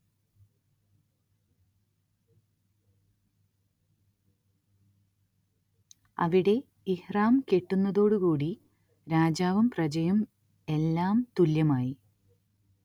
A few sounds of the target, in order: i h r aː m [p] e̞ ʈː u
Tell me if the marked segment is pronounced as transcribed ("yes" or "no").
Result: no